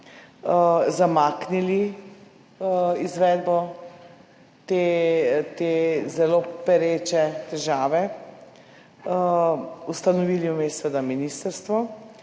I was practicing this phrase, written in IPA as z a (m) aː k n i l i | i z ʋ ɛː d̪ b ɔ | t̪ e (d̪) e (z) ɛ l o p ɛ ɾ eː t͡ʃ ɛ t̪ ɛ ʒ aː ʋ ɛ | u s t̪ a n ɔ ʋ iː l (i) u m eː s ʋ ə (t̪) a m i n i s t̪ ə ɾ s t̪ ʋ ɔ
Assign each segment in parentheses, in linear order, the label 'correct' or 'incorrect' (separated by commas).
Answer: correct, incorrect, correct, correct, incorrect